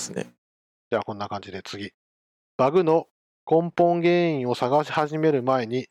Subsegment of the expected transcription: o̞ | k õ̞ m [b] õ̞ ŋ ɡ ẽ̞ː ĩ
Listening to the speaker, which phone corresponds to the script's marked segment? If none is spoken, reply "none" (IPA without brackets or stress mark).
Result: p